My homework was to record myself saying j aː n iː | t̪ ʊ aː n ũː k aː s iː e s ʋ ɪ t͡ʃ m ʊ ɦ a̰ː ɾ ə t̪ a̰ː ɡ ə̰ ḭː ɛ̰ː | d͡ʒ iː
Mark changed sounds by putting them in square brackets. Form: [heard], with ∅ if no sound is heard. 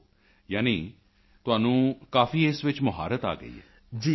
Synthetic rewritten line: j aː n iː | t̪ ʊ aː n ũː k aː [f] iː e s ʋ ɪ t͡ʃ m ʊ ɦ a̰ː ɾ ə t̪ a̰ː ɡ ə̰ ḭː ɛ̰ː | d͡ʒ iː